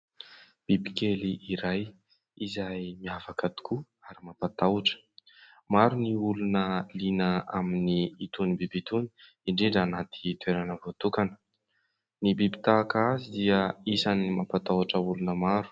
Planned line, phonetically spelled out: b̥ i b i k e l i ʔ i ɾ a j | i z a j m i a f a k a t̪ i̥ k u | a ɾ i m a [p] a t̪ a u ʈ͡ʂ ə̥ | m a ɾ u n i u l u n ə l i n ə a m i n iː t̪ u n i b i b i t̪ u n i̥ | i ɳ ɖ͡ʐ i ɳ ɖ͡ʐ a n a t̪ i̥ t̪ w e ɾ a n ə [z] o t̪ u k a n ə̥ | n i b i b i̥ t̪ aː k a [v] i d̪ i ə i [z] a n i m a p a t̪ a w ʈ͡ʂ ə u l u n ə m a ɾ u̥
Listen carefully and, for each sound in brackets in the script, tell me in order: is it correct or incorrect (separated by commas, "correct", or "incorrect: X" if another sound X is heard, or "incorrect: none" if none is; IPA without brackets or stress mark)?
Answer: correct, incorrect: v, incorrect: z, incorrect: s